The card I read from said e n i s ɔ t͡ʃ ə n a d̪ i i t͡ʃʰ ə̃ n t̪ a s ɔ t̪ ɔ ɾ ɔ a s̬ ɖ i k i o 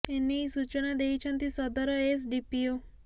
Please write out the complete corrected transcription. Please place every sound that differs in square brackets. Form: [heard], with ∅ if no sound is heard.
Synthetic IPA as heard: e n i s [u] t͡ʃ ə n a d̪ [e] i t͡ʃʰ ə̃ n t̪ [i] s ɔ [d̪] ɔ ɾ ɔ [e] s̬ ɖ i [p] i o